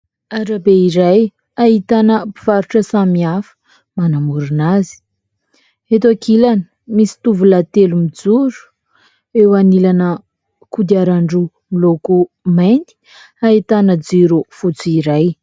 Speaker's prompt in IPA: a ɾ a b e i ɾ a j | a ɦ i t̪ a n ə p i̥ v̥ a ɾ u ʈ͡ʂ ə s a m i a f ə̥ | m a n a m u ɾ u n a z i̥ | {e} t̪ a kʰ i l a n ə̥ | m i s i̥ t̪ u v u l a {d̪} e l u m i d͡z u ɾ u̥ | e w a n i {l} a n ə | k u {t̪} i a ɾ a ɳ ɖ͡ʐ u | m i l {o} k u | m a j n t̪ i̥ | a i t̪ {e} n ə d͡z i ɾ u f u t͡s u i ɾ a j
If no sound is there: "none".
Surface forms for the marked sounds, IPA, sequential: e, t̪, l, d̪, o, a

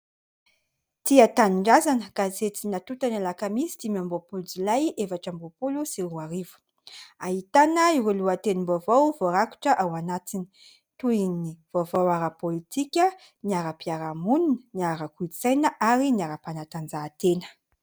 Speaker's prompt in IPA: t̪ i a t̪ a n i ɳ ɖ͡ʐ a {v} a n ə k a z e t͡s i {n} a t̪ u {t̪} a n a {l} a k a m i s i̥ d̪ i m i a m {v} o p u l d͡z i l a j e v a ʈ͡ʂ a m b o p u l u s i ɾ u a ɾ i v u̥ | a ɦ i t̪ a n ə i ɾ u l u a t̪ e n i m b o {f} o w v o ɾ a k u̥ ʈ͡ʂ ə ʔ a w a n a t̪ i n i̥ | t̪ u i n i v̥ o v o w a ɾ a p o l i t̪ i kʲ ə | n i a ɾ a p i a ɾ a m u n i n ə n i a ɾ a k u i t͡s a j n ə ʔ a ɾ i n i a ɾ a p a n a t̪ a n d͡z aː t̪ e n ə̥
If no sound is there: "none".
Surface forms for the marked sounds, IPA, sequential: z, n, t̪, l, b, v

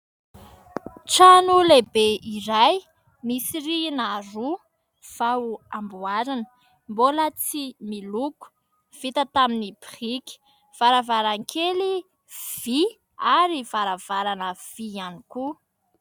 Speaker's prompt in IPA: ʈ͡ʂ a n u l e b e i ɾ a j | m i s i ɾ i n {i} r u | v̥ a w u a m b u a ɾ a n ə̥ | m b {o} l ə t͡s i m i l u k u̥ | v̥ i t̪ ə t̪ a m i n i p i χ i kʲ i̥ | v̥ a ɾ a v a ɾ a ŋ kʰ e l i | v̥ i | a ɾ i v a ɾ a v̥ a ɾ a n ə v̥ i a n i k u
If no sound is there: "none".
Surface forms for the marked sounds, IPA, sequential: a, o

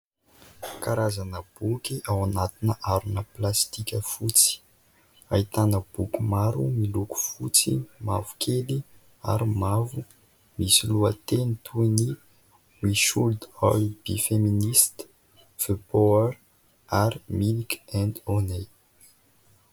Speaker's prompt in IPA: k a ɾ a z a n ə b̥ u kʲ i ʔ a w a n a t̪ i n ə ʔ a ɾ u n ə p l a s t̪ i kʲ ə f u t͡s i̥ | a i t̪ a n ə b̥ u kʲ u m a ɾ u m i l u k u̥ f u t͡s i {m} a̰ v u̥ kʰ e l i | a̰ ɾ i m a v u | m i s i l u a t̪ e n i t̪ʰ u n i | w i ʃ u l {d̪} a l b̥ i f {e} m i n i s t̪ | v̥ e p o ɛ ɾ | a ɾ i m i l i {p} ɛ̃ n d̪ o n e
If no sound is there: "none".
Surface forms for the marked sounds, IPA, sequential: m, d̪, e, k

